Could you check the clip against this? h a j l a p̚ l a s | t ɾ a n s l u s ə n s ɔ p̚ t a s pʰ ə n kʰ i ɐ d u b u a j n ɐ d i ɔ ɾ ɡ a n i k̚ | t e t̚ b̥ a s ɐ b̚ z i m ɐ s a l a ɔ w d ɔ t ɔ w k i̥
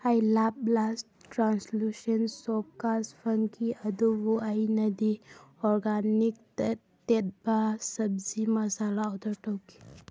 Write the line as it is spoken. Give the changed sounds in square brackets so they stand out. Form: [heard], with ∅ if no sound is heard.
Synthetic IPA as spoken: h a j l a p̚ l a s | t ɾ a n s l u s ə n s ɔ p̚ [k] a s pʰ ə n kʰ i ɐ d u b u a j n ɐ d i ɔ ɾ ɡ a n i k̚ | t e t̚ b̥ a s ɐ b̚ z i m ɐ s a l a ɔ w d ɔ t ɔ w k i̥